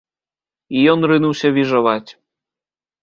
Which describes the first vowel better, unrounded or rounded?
unrounded